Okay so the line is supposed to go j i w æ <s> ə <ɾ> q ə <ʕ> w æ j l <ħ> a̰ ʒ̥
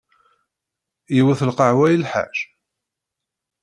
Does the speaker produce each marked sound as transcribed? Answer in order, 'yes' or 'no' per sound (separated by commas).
no, no, yes, yes